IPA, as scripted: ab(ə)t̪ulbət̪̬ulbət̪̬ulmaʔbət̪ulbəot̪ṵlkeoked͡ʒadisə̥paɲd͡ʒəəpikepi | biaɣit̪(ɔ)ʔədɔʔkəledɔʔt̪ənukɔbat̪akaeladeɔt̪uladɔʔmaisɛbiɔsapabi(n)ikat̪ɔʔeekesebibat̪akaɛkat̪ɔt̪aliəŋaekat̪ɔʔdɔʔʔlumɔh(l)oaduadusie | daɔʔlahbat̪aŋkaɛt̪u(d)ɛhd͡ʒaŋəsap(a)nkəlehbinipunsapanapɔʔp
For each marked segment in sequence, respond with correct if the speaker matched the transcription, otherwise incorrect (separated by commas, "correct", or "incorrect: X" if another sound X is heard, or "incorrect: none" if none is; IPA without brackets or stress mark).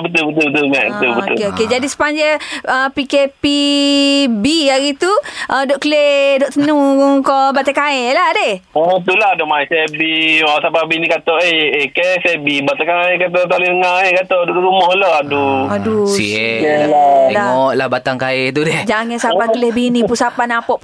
correct, incorrect: u, correct, correct, correct, correct